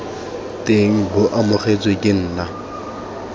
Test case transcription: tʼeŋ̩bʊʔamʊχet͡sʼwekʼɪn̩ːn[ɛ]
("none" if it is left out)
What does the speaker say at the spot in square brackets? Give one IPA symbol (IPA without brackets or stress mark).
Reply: a